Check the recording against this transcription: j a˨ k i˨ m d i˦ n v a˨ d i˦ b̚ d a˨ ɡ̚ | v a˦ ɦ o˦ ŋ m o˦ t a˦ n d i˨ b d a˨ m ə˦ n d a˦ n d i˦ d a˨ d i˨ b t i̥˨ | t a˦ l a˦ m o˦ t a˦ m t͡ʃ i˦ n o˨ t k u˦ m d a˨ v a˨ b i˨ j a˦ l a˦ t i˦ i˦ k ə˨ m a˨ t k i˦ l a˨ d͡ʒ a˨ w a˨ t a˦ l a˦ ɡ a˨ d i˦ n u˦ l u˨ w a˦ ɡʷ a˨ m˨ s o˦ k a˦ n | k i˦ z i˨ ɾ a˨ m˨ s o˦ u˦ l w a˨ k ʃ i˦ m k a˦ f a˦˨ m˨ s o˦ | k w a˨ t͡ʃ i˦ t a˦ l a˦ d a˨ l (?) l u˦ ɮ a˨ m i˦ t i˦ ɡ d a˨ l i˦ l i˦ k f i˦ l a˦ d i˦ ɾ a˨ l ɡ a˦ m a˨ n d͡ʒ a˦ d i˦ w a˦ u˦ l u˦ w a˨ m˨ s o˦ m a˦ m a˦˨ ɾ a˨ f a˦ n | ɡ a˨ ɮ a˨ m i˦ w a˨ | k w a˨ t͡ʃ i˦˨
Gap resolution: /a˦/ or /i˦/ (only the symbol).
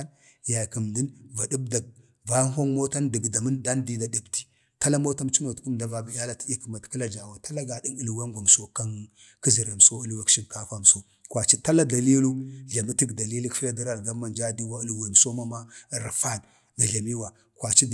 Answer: i˦